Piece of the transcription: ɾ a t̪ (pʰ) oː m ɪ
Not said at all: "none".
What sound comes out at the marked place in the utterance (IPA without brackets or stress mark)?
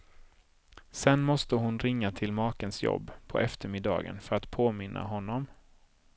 pʰ